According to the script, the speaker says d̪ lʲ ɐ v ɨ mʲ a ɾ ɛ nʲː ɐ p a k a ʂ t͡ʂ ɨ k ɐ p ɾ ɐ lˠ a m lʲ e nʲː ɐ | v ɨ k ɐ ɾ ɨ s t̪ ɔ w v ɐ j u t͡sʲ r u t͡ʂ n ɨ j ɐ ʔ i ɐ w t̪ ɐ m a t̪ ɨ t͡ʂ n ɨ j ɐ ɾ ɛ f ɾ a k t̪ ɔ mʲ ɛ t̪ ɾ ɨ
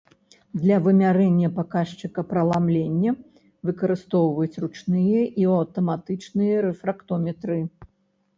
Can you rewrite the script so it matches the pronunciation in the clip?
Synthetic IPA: d̪ lʲ ɐ v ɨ mʲ a ɾ ɛ nʲː ɐ p a k a ʂ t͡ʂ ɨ k ɐ p ɾ ɐ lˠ a m lʲ e nʲː ɐ | v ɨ k ɐ ɾ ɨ s t̪ ɔ w v ɐ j u t͡sʲ r u t͡ʂ n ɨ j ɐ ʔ i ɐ w t̪ ɐ m a t̪ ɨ t͡ʂ n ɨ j ɐ ɾ ɛ f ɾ a k t̪ ɔ mʲ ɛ t̪ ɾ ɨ